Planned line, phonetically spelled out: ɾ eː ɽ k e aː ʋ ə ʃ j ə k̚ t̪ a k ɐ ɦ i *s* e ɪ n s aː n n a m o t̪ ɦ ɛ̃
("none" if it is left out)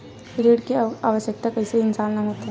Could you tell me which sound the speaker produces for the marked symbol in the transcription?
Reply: s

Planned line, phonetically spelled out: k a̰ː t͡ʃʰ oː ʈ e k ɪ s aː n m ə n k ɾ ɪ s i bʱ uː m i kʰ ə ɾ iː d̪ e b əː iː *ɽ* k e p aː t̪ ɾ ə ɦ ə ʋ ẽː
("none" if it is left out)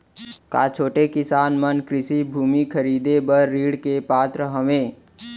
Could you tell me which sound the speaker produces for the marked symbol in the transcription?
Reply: ɽ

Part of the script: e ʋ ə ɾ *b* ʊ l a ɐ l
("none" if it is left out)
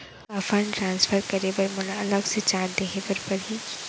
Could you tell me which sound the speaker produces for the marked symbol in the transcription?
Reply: m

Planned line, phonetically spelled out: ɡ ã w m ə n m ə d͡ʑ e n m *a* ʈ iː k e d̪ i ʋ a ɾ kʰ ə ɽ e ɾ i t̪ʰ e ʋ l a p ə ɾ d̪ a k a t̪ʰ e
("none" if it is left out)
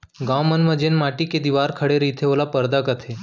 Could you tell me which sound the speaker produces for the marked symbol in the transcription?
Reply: a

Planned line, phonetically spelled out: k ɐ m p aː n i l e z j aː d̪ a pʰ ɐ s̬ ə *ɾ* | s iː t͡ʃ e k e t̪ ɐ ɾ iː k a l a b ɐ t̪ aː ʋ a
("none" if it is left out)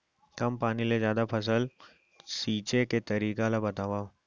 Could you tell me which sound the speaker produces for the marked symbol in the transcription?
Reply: l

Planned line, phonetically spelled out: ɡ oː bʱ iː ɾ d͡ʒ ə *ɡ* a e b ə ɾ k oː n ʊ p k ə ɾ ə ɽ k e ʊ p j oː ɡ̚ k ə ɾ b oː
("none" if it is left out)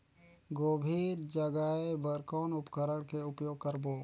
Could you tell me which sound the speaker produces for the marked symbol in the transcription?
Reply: ɡ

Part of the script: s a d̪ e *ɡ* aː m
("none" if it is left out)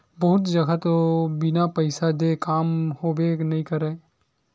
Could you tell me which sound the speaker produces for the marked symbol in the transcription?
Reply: k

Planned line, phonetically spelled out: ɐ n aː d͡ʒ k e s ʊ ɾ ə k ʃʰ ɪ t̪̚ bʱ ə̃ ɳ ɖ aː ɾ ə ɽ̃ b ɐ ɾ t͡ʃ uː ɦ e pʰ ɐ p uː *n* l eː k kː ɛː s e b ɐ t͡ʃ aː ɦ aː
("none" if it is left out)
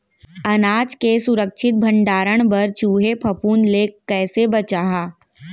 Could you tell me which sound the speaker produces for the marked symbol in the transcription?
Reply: n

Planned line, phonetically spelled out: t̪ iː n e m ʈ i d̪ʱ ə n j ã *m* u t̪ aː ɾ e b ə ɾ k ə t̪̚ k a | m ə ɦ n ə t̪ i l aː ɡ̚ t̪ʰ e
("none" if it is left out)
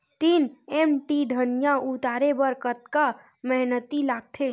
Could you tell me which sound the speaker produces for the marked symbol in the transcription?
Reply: none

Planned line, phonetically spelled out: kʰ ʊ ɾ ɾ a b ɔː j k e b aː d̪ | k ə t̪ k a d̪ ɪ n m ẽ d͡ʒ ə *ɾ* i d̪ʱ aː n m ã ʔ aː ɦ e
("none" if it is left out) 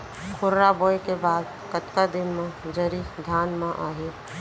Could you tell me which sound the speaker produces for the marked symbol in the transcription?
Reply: ɾ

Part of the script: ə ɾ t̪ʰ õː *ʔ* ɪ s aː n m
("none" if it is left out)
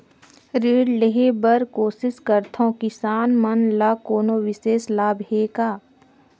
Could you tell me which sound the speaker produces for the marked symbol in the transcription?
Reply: k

